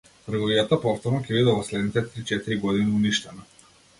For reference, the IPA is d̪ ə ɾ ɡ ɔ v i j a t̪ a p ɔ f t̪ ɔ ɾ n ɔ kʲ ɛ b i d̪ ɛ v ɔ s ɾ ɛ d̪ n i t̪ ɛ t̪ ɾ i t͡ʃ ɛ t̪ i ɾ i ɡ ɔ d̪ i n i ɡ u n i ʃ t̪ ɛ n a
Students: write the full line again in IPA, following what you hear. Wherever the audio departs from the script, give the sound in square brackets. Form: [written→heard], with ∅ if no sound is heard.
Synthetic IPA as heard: [d̪→t̪] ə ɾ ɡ ɔ v i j a t̪ a p ɔ f t̪ ɔ ɾ n ɔ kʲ ɛ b i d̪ ɛ v ɔ s [ɾ→l] ɛ d̪ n i t̪ ɛ t̪ ɾ i t͡ʃ ɛ t̪ i ɾ i ɡ ɔ d̪ i n i [ɡ→∅] u n i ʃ t̪ ɛ n a